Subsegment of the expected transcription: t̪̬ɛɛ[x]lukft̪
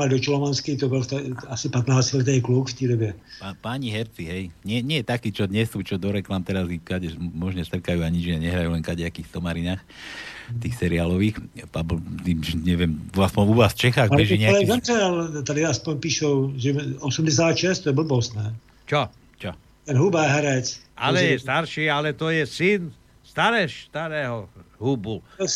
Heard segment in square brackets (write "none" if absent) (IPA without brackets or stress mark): k